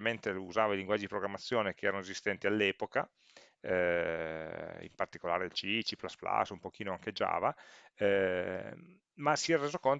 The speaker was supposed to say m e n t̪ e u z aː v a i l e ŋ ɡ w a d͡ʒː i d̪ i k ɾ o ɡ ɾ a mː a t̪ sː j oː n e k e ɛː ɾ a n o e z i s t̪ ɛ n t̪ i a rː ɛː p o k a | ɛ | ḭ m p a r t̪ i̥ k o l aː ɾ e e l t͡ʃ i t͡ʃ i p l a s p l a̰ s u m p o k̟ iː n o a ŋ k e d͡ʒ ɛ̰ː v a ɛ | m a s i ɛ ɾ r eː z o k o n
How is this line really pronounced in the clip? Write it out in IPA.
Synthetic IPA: m e n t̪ e u z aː v a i l i ŋ ɡ w a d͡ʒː i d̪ i p ɾ o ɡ ɾ a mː a t̪ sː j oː n e k e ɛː ɾ a n o e z i s t̪ ɛ n t̪ i a lː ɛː p o k a | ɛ | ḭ m p a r t̪ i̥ k o l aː ɾ e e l t͡ʃ i t͡ʃ i p l a s p l a̰ s u m p o k̟ iː n o a ŋ k e d͡ʒ a̰ː v a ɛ | m a s i ɛ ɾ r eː z o k o n